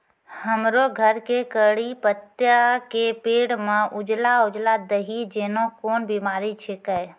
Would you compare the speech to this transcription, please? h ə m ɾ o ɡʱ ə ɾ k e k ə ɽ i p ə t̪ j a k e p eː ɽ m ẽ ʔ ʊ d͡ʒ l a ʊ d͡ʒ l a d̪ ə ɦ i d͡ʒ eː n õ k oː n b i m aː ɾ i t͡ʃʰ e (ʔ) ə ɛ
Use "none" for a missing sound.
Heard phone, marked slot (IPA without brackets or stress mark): k